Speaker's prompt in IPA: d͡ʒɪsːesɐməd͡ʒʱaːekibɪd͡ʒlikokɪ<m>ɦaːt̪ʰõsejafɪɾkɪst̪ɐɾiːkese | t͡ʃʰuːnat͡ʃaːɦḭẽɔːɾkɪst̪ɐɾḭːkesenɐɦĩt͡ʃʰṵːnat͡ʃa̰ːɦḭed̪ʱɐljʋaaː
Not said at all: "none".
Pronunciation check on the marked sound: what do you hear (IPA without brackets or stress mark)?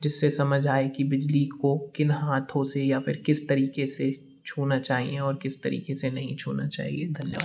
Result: n